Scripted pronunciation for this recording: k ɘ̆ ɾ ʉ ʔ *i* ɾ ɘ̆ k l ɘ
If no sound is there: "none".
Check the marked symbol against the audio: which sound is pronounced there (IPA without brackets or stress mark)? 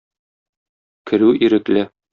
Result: i